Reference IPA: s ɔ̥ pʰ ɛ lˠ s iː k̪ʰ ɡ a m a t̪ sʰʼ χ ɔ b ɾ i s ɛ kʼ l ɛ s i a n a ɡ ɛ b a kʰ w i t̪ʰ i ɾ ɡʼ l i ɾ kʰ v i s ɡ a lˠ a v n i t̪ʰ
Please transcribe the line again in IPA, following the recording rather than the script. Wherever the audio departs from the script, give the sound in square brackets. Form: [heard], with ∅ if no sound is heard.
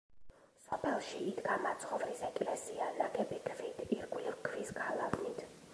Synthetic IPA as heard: s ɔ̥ pʰ ɛ lˠ [ʃ] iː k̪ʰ ɡ a m a t̪ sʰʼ χ ɔ [v] ɾ i s ɛ kʼ l ɛ s i a n a ɡ ɛ b [i] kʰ [v] i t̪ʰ i ɾ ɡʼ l i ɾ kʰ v i s ɡ a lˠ a v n i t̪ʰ